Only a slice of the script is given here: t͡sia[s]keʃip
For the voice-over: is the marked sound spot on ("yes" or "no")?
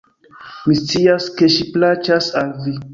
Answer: yes